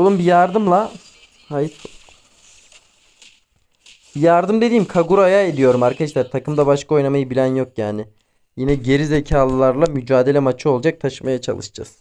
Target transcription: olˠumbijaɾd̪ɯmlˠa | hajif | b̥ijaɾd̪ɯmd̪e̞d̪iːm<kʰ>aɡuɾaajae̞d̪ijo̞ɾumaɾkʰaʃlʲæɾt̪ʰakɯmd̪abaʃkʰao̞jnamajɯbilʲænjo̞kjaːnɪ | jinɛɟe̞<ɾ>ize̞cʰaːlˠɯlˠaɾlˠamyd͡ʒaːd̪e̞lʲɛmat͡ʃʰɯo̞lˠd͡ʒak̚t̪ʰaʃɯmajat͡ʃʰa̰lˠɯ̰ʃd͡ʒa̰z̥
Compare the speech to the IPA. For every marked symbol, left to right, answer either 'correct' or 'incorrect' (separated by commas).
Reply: correct, correct